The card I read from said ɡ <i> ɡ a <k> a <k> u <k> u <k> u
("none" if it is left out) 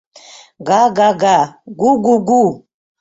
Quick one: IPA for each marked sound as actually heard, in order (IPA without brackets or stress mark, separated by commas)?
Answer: a, ɡ, ɡ, ɡ, ɡ